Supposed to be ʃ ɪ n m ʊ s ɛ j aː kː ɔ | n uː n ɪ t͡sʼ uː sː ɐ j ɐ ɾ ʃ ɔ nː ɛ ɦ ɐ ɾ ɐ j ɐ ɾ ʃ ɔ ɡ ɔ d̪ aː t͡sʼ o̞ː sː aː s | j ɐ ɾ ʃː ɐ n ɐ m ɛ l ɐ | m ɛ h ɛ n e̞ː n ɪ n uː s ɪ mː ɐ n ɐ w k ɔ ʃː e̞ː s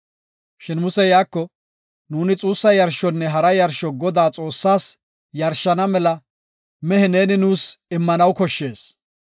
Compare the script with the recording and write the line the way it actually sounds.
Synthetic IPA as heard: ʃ ɪ n m ʊ s ɛ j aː kː ɔ | n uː n ɪ t͡sʼ uː sː ɐ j ɐ ɾ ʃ ɔ nː ɛ ɦ ɐ ɾ ɐ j ɐ ɾ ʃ ɔ ɡ ɔ d̪ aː t͡sʼ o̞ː sː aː s | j ɐ ɾ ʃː ɐ n ɐ m ɛ l ɐ | m ɛ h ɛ n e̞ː n ɪ n uː s ɪ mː ɐ n ɐ w k ɔ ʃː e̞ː s